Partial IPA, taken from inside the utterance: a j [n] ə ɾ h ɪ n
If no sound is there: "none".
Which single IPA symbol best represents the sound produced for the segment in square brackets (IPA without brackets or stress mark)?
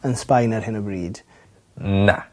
n